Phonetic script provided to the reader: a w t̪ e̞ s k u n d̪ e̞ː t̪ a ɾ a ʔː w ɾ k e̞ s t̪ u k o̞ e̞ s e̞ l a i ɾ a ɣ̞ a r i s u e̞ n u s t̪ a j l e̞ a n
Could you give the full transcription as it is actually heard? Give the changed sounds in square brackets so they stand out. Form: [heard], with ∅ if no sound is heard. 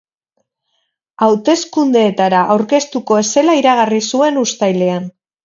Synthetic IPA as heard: a w t̪ e̞ s k u n d̪ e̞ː t̪ a ɾ a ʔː w ɾ k e̞ s t̪ u k o̞ e̞ s e̞ l a i ɾ a ɣ̞ a r i s u e̞ n u s t̪ a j l e̞ a n